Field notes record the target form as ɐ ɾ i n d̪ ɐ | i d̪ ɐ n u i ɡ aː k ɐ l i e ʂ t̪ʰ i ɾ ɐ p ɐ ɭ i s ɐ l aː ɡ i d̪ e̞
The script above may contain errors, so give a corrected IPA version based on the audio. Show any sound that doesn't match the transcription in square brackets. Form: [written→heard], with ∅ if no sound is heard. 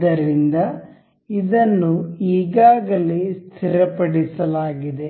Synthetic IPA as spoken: ɐ ɾ i n d̪ ɐ | i d̪ ɐ [n→nː] u [i→iː] ɡ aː [k→ɡ] ɐ l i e [ʂ→s] t̪ʰ i ɾ ɐ p ɐ [ɭ→ɽ] i s ɐ l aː ɡ i d̪ e̞